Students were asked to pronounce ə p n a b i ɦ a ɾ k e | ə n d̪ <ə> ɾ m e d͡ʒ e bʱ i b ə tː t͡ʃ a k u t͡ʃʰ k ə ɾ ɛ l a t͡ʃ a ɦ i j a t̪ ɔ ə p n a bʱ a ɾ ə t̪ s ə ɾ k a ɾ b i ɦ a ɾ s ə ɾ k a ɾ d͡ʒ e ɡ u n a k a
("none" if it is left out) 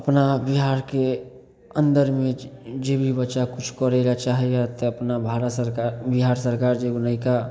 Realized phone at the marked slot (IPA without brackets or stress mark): ə